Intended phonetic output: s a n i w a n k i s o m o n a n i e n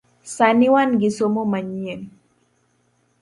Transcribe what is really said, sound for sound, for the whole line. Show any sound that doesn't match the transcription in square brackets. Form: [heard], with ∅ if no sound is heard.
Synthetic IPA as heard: s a n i w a n [ɡ] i s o m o [m] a [ɲ] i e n